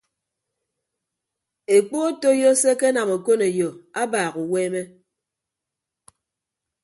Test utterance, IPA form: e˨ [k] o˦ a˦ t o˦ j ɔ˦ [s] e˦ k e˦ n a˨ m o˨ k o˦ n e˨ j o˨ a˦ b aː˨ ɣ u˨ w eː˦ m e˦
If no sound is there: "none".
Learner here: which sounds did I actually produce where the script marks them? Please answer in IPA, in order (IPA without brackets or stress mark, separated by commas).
k͡p, s